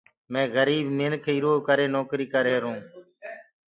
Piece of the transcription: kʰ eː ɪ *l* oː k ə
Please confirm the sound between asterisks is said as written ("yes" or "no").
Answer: no